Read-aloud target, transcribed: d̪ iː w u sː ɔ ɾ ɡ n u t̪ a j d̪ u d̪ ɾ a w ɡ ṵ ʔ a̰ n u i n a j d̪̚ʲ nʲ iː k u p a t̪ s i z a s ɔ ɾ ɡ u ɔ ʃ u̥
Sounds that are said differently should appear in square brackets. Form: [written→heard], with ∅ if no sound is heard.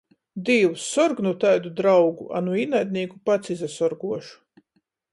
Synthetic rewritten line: d̪ iː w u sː ɔ ɾ ɡ n u t̪ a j d̪ u d̪ ɾ a w ɡ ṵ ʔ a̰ n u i n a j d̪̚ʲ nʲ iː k u p a t̪ s i z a s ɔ ɾ ɡ u ɔ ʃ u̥